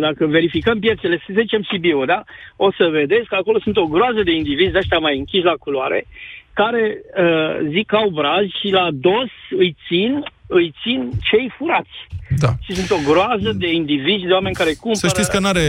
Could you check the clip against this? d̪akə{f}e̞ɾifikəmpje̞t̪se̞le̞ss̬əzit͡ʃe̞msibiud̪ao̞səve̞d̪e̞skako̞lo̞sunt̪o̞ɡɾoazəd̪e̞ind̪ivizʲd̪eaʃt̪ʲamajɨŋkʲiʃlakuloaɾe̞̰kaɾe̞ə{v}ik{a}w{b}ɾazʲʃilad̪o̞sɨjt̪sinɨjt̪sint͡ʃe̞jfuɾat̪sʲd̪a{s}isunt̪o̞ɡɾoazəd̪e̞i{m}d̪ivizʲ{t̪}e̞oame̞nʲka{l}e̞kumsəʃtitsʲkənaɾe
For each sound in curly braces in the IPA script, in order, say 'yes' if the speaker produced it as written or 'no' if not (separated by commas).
no, no, yes, yes, no, no, no, no